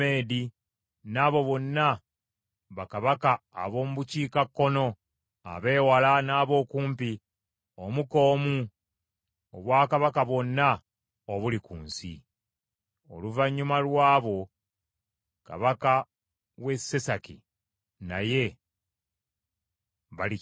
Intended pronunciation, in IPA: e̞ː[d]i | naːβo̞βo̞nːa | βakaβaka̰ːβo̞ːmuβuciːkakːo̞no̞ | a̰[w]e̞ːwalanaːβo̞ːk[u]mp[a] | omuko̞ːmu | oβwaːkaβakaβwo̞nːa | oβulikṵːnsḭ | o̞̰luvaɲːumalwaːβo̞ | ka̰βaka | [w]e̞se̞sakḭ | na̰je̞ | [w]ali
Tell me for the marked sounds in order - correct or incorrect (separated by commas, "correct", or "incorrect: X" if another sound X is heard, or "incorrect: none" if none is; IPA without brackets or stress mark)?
correct, incorrect: β, incorrect: uː, incorrect: i, correct, incorrect: β